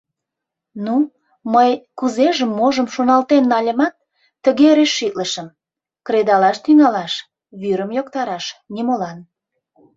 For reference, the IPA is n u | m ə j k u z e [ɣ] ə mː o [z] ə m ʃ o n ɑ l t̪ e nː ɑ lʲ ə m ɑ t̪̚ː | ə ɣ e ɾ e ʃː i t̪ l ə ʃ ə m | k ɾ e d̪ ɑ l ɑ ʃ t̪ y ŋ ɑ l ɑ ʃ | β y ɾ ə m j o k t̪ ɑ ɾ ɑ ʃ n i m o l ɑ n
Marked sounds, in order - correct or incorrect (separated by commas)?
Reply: incorrect, incorrect